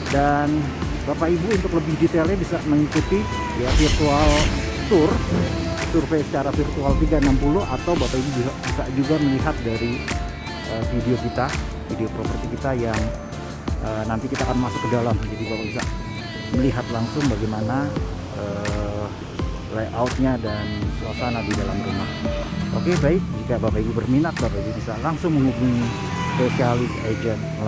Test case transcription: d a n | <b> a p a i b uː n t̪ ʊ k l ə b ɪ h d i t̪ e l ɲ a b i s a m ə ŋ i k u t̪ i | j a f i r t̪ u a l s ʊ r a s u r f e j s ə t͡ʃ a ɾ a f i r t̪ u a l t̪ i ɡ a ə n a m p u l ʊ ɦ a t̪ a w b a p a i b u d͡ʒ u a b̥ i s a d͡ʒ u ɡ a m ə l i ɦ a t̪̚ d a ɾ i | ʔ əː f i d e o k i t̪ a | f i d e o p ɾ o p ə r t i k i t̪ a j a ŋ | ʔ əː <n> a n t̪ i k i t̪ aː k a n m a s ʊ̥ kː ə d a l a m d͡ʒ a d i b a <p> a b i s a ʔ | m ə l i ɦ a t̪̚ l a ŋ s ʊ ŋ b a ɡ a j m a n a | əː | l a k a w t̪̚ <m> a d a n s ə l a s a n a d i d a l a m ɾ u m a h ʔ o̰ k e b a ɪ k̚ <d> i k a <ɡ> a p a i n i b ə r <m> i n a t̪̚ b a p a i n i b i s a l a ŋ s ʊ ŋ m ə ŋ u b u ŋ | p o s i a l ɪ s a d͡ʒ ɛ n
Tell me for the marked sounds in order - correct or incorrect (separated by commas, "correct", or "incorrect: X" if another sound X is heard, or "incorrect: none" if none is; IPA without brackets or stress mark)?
correct, correct, correct, incorrect: ɲ, incorrect: d͡ʒ, incorrect: b, correct